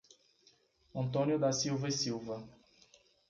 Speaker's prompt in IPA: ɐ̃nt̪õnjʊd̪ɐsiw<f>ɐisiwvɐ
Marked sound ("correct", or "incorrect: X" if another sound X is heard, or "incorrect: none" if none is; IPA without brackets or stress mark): incorrect: v